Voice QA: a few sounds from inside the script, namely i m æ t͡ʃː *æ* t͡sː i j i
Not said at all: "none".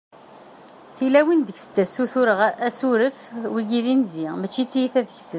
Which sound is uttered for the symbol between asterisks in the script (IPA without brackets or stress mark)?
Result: i